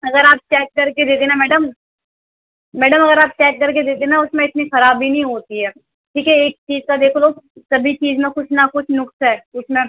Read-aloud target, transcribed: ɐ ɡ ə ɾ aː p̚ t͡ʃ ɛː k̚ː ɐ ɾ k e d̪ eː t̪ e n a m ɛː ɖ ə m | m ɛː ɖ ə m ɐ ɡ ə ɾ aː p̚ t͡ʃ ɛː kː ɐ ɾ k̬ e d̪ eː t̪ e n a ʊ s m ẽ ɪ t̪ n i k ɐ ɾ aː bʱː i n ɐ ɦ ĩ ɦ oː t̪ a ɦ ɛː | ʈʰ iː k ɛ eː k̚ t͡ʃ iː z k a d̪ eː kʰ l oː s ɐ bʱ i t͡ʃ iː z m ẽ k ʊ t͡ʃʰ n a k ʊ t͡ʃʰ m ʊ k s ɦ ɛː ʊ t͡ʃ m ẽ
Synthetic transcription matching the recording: ɐ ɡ ə ɾ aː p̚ t͡ʃ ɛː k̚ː ɐ ɾ k e d̪ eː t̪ e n a m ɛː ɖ ə m | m ɛː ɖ ə m ɐ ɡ ə ɾ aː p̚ t͡ʃ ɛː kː ɐ ɾ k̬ e d̪ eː t̪ e n a ʊ s m ẽ ɪ t̪ n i x ɐ ɾ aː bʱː i n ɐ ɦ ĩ ɦ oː t̪ i ɦ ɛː | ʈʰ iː k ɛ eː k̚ t͡ʃ iː z k a d̪ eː kʰ l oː s ɐ bʱ i t͡ʃ iː z m ẽ k ʊ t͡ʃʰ n a k ʊ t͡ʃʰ n ʊ k s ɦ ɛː ʊ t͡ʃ m ẽ